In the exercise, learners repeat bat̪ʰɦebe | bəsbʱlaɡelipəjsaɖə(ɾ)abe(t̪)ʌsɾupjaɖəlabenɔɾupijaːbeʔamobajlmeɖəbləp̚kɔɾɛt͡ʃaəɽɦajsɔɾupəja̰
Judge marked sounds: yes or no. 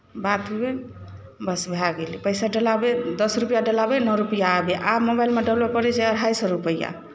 no, no

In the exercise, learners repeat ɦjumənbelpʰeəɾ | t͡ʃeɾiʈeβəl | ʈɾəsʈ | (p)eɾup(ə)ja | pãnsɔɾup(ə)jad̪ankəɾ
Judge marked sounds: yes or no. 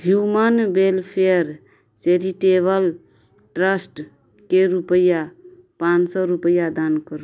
no, yes, yes

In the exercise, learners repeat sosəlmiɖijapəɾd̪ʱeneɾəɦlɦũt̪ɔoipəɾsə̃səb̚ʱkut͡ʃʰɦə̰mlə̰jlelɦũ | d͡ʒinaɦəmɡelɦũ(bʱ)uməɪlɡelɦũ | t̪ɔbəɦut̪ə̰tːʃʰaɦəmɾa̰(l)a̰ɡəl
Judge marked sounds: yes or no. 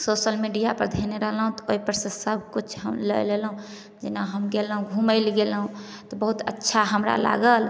no, yes

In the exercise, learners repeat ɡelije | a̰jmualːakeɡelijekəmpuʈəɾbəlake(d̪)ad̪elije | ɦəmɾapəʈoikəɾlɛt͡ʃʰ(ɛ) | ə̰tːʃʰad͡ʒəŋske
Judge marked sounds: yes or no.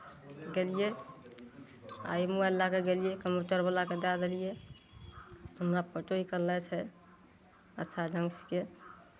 yes, yes

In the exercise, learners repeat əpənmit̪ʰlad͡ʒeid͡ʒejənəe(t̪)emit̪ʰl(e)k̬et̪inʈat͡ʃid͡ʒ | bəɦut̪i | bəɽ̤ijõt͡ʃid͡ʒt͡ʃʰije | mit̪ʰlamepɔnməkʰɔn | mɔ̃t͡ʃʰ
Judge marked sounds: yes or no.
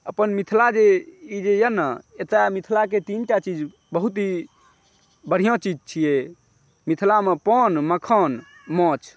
yes, no

